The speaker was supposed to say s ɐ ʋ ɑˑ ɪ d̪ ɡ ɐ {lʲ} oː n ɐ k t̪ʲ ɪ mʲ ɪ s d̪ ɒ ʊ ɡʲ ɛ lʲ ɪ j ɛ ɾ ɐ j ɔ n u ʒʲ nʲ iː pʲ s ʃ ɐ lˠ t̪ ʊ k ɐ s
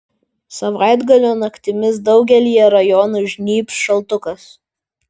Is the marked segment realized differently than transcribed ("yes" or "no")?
no